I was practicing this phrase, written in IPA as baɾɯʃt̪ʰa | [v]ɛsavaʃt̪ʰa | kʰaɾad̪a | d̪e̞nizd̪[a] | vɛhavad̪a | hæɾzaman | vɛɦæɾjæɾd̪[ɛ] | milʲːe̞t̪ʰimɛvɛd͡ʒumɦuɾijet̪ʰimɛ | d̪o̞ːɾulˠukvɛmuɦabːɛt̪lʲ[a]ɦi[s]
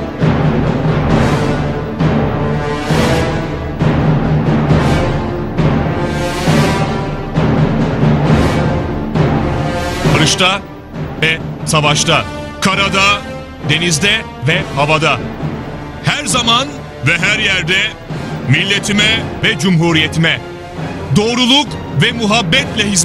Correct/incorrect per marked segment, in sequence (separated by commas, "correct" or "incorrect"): correct, incorrect, correct, incorrect, incorrect